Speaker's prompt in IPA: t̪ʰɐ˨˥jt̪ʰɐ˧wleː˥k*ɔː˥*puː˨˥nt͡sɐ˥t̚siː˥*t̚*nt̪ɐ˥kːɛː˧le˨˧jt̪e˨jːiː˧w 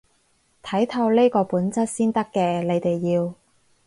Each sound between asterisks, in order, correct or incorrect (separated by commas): incorrect, incorrect